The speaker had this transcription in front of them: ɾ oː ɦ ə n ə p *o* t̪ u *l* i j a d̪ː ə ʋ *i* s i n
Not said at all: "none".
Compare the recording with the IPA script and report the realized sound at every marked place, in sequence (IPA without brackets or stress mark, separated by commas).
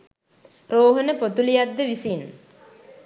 o, l, i